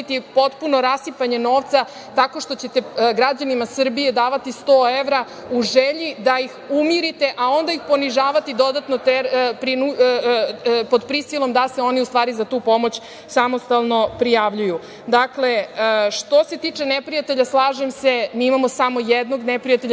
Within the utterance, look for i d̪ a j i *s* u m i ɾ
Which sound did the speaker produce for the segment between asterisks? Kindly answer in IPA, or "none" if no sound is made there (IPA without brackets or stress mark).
x